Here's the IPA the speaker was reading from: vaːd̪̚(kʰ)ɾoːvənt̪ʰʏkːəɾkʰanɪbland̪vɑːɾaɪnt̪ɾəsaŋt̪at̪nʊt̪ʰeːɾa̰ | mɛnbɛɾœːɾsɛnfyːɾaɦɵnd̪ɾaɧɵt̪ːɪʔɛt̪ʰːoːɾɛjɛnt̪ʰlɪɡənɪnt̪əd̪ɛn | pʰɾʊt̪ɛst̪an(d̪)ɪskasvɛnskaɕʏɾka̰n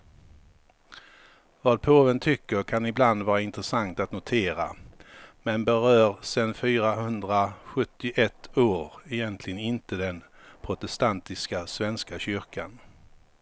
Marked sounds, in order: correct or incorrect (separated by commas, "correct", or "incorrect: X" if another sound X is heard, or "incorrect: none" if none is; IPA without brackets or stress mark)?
incorrect: pʰ, incorrect: t̪